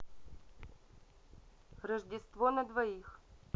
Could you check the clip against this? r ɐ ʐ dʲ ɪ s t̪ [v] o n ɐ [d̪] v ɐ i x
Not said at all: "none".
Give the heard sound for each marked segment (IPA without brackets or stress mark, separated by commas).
v, d̪